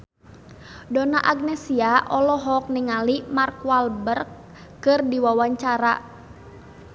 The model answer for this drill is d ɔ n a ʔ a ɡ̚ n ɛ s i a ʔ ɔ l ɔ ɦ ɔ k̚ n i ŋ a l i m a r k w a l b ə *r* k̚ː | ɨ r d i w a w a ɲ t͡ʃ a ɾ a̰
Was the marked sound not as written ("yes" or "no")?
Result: no